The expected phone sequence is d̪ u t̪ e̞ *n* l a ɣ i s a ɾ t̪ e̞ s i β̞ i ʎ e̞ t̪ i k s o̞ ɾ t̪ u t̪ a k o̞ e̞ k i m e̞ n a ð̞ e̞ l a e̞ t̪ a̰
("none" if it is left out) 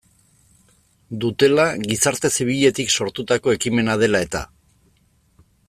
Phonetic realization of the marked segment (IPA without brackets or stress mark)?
none